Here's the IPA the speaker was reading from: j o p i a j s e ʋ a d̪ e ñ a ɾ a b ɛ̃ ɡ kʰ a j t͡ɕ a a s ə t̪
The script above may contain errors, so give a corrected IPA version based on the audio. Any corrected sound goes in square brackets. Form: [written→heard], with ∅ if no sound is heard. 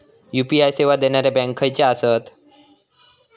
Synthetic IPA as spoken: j [o→u] p i a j s e ʋ a d̪ e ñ a ɾ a b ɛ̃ [ɡ→ŋ] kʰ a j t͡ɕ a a s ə t̪

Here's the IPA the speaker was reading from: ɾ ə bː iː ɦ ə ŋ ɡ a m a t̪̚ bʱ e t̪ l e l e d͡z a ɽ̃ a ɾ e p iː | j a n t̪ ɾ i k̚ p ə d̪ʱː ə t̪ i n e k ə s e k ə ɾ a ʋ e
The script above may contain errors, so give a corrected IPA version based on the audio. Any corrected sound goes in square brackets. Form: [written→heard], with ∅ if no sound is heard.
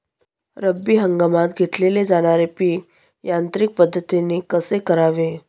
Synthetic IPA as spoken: ɾ ə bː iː ɦ ə ŋ ɡ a m a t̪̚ [bʱ→ɡʱ] e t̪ l e l e d͡z a ɽ̃ a ɾ e p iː | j a n t̪ ɾ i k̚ p ə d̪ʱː ə t̪ i n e k ə s e k ə ɾ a ʋ e

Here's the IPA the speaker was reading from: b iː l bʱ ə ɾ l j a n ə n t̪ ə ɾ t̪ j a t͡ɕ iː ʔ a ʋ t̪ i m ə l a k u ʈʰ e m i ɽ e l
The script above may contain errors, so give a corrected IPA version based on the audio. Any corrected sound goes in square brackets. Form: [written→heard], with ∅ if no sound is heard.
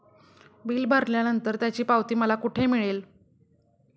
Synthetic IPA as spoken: b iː l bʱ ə ɾ l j a n ə n t̪ ə ɾ t̪ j a t͡ɕ iː [ʔ→p] a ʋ t̪ [i→iː] m ə l a k u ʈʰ e m i [ɽ→ɭ] e l

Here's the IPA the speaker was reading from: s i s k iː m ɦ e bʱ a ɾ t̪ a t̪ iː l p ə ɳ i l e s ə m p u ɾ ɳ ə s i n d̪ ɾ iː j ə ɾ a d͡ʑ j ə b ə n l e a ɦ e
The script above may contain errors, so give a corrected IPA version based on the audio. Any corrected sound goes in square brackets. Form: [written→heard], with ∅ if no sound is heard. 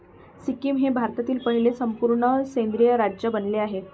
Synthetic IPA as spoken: s i [s→∅] k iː m ɦ e bʱ a ɾ t̪ a t̪ iː l p ə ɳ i l e s ə m p u ɾ ɳ ə s [i→e] n d̪ ɾ [iː→i] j ə ɾ a d͡ʑ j ə b ə n l e a ɦ e

